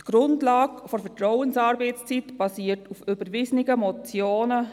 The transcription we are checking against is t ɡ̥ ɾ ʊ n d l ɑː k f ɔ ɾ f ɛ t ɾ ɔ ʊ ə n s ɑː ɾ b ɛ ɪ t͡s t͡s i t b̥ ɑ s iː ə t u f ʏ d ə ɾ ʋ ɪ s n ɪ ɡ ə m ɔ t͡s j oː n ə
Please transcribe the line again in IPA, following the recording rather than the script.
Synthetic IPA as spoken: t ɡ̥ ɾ ʊ n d l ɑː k f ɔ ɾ f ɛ t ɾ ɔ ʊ ə n s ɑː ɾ b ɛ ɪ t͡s t͡s i t b̥ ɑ s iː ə t u f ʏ b ə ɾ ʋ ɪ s n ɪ ɡ ə m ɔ t͡s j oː n ə